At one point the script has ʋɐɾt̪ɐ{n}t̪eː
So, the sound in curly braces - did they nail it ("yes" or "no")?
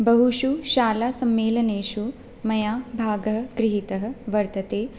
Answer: no